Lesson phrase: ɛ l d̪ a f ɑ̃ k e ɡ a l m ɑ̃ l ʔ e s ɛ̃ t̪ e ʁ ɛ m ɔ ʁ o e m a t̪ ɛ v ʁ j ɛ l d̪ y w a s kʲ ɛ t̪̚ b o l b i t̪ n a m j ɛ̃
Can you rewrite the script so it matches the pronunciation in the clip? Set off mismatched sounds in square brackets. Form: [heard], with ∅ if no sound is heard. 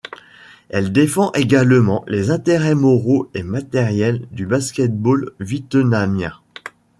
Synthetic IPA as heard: ɛ l d̪ [e] f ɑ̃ [ʔ] e ɡ a l m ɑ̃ l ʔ e [z] ɛ̃ t̪ e ʁ ɛ m ɔ ʁ o e m a t̪ ɛ [∅] ʁ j ɛ l d̪ y [b] a s kʲ ɛ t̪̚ b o l [v] i t̪ n a m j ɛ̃

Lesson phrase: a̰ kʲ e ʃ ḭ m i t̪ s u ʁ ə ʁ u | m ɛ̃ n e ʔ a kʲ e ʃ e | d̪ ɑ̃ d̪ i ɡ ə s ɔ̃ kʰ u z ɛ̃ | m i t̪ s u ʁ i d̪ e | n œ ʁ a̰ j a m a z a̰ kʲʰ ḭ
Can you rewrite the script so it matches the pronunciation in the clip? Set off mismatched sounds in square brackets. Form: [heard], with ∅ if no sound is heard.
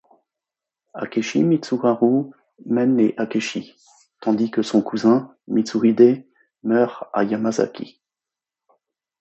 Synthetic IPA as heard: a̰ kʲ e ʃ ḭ m i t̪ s u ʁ [a] ʁ u | m [ɛ] n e ʔ a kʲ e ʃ [i] | [t̪] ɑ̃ d̪ i [k] ə s ɔ̃ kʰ u z ɛ̃ | m i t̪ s u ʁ i d̪ e | [m] œ ʁ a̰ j a m a z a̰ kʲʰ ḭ

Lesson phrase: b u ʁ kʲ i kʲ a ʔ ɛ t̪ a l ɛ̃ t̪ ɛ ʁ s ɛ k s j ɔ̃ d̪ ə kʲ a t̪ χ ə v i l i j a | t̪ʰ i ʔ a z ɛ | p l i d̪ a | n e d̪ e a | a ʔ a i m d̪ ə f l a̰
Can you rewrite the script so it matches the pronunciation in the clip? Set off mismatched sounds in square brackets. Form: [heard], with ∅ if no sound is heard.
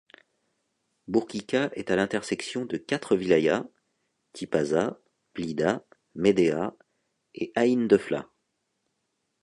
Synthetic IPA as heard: b u ʁ kʲ i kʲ a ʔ ɛ t̪ a l ɛ̃ t̪ ɛ ʁ s ɛ k s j ɔ̃ d̪ ə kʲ a t̪ χ ə v i l [a] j a | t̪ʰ i [p] a z [a] | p l i d̪ a | [m] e d̪ e a | [e] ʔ a i [n] d̪ ə f l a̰

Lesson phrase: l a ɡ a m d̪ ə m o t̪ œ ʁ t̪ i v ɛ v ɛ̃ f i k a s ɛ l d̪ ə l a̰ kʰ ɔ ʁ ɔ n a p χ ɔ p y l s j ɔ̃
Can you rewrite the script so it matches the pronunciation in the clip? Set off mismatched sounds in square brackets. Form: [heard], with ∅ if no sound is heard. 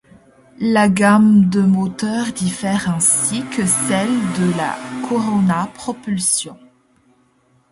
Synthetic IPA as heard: l a ɡ a m d̪ ə m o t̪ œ ʁ [d̪] i [f] ɛ [ʁ] ɛ̃ [s] i k [ə] s ɛ l d̪ ə l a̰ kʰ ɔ ʁ ɔ n a p χ ɔ p y l s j ɔ̃

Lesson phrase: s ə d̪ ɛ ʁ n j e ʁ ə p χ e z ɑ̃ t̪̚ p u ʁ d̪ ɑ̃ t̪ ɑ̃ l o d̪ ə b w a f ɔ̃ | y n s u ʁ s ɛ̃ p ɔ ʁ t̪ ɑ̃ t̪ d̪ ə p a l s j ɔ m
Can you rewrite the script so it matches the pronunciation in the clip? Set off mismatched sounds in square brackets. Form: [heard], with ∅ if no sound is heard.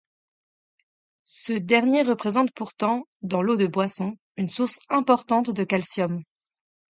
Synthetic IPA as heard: s ə d̪ ɛ ʁ n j e ʁ ə p χ e z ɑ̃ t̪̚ p u ʁ [t̪] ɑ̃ [d̪] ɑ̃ l o d̪ ə b w a [s] ɔ̃ | y n s u ʁ s ɛ̃ p ɔ ʁ t̪ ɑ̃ t̪ d̪ ə [k] a l s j ɔ m

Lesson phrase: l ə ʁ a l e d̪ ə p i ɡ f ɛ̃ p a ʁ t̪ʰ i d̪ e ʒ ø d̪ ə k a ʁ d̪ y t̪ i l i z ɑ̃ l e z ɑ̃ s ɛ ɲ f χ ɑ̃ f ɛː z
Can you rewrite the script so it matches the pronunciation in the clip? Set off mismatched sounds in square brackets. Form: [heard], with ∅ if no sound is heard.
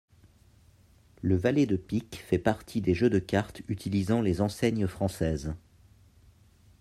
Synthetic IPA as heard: l ə [v] a l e d̪ ə p i [k] f [ɛ] p a ʁ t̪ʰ i d̪ e ʒ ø d̪ ə k a ʁ [t̪] y t̪ i l i z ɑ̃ l e z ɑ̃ s ɛ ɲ f χ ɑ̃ [s] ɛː z

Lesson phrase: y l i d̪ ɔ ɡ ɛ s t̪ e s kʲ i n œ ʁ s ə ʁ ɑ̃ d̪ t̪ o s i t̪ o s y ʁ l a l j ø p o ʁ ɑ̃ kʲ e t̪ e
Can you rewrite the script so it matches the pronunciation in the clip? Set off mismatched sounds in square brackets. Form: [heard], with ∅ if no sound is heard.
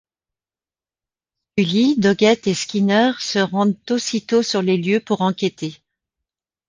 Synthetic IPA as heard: y l i d̪ ɔ ɡ ɛ [∅] t̪ e s kʲ i n œ ʁ s ə ʁ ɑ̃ d̪ t̪ o s i t̪ o s y ʁ l [e] l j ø p [u] ʁ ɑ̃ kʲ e t̪ e

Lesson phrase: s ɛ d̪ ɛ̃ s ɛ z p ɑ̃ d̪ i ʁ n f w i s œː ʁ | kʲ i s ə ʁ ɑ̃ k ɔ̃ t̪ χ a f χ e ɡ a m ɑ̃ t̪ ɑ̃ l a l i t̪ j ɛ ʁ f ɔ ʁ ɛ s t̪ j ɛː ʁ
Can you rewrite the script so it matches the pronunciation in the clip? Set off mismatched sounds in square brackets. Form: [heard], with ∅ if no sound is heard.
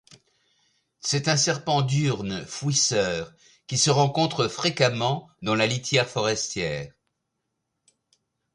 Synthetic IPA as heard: s ɛ [t̪] ɛ̃ s ɛ [ʁ] p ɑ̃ d̪ [y] ʁ n f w i s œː ʁ | kʲ i s ə ʁ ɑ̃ k ɔ̃ t̪ χ [ə] f χ e [k] a m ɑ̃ [d̪] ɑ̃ l a l i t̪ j ɛ ʁ f ɔ ʁ ɛ s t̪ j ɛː ʁ

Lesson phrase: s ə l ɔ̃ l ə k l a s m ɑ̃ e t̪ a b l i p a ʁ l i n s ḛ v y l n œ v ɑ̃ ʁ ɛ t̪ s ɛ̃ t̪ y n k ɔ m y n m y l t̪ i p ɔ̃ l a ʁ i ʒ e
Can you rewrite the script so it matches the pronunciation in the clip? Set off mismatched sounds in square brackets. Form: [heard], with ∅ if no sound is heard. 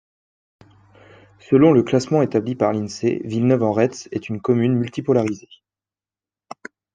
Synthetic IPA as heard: s ə l ɔ̃ l ə k l a s m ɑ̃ e t̪ a b l i p a ʁ l i n s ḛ v [i] l n œ v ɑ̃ ʁ ɛ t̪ s [ɛ] t̪ y n k ɔ m y n m y l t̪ i p [ɔ] l a ʁ i [z] e

